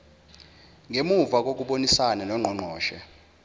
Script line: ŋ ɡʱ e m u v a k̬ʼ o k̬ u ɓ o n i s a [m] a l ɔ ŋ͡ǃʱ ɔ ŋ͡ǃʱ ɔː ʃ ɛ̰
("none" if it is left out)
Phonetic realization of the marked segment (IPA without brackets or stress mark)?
n